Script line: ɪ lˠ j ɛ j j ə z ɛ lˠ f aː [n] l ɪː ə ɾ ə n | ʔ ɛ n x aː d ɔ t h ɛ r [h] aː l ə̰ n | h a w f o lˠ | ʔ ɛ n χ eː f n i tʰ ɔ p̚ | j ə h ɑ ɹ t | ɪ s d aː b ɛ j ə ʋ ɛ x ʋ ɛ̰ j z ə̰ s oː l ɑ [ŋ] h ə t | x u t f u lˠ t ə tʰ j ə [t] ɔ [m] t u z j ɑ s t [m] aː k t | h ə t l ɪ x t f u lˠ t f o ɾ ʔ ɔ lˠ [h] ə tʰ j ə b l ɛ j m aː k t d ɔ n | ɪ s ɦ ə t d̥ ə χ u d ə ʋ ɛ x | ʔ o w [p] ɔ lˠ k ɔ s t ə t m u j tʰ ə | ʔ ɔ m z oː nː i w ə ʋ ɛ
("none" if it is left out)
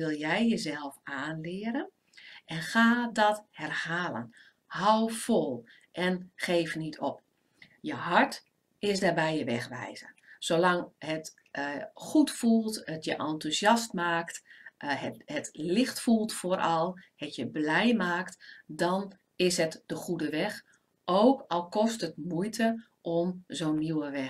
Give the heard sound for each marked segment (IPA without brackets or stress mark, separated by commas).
n, h, ŋ, ʔ, n, m, h, k